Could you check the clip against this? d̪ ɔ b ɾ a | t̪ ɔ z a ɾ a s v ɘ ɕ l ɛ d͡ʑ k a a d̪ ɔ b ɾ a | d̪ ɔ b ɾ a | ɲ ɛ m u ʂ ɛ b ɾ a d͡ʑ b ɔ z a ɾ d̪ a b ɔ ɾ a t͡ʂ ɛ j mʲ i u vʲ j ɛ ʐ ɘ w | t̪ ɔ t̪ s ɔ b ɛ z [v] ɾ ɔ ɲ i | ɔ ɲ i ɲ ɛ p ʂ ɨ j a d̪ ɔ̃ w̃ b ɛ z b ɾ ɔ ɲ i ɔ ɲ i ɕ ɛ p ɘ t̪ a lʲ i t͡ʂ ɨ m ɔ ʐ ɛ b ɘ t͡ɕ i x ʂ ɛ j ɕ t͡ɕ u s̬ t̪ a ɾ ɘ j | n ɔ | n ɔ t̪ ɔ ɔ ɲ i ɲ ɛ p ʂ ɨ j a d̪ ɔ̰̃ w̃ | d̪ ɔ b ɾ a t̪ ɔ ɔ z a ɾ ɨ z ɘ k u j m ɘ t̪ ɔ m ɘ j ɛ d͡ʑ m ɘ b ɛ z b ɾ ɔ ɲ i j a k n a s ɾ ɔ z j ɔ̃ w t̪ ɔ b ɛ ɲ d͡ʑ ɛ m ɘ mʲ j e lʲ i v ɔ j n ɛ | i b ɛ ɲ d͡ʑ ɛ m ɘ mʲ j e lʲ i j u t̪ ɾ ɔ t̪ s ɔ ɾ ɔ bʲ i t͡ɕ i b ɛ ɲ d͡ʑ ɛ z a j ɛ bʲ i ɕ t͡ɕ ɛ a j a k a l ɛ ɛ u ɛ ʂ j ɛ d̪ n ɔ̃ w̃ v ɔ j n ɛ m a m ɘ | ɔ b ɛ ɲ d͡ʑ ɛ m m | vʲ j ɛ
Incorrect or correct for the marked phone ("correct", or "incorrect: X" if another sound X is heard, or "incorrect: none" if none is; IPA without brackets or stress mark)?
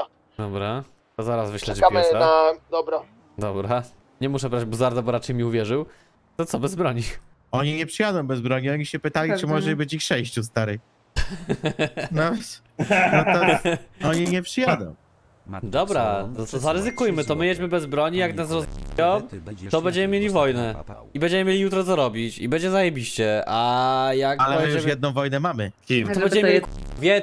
incorrect: b